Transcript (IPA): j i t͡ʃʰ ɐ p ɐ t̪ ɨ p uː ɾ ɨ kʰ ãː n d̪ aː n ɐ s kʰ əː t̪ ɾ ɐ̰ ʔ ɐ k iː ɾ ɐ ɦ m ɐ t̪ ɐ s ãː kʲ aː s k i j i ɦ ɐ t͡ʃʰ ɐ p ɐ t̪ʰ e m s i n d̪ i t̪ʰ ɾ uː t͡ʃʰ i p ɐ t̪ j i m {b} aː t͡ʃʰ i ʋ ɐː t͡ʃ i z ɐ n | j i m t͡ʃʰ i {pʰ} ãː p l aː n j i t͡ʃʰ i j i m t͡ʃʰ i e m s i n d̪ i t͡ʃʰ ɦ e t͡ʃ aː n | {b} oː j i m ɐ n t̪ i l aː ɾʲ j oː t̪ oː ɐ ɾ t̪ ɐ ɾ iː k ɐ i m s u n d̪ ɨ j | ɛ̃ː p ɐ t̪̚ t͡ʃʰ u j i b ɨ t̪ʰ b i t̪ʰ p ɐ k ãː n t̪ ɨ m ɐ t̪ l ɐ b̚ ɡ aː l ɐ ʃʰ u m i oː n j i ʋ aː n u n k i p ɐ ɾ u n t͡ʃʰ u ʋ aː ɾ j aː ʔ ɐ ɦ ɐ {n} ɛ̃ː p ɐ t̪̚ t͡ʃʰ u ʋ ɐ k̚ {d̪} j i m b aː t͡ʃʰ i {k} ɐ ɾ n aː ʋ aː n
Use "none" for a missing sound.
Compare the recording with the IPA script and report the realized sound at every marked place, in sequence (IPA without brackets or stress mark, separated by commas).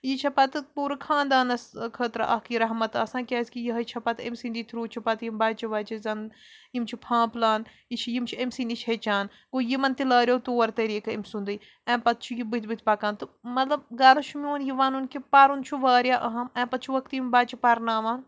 b, pʰ, ɡ, m, t̪, p